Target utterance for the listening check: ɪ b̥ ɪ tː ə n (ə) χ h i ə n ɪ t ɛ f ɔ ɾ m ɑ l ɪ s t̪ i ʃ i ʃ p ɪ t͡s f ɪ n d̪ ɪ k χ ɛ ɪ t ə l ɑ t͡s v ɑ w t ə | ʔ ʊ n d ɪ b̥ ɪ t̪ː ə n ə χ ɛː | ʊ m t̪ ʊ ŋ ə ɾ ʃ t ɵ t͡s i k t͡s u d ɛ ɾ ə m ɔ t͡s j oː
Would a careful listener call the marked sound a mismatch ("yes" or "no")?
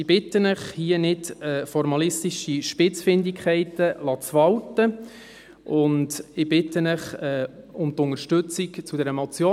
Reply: no